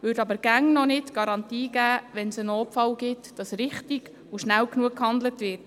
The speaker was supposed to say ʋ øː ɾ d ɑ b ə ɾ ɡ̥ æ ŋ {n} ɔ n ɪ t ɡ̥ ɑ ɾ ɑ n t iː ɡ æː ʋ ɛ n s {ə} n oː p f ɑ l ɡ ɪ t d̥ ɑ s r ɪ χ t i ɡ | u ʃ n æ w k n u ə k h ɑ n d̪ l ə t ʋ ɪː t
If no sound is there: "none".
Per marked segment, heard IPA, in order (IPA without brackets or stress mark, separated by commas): n, ə